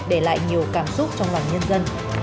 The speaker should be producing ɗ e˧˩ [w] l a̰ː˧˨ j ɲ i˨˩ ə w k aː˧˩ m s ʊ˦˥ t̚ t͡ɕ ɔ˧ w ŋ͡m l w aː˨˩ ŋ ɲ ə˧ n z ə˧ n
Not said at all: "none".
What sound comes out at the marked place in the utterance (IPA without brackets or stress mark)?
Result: none